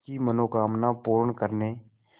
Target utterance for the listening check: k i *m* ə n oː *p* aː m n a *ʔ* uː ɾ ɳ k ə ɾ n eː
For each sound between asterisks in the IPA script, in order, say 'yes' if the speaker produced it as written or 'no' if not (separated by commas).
yes, no, no